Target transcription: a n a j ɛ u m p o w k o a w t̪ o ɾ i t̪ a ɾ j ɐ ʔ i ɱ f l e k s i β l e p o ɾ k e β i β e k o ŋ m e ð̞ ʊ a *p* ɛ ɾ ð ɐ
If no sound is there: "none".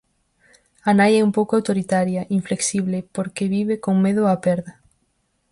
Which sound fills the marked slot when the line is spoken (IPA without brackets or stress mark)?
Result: p